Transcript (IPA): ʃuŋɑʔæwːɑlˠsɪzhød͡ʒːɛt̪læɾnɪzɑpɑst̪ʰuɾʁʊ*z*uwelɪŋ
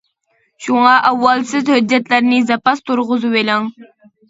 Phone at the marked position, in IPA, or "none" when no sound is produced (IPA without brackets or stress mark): z